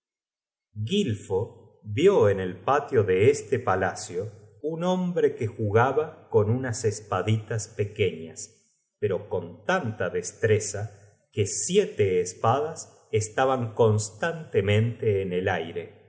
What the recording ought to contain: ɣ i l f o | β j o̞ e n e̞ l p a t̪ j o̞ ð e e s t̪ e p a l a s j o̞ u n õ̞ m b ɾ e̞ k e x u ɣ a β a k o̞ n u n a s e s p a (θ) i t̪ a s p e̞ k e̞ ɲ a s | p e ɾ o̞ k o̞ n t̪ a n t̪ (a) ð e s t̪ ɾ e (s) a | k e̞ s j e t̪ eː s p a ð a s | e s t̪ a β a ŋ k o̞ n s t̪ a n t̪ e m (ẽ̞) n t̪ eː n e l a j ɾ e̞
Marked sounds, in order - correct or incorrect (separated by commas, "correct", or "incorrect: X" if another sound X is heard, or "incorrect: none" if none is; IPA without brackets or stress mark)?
incorrect: ð, correct, correct, correct